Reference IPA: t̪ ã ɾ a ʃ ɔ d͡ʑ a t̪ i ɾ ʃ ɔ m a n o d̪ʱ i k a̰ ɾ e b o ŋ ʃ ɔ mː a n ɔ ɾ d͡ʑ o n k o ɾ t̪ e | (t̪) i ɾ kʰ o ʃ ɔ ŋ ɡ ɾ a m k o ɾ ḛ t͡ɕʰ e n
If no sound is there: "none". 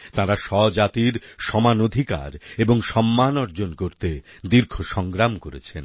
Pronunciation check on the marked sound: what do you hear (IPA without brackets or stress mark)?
d̪